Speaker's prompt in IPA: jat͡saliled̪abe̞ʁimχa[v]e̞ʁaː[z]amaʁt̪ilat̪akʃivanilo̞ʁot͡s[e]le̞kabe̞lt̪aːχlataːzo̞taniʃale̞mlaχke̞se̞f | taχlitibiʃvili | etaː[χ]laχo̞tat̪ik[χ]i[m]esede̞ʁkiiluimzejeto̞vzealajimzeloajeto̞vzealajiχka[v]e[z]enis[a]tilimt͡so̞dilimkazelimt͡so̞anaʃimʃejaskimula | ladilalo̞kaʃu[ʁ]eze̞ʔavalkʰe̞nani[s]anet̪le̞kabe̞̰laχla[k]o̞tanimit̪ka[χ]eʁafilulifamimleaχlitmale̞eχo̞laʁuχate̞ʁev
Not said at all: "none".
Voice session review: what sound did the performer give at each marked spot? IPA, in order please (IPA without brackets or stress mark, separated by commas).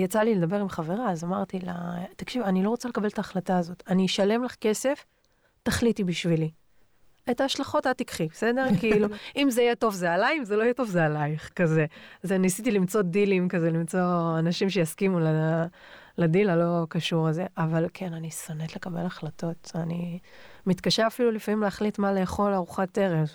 v, z, a, ʃ, χ, b, z, z, i, ʁ, s, t, ʃ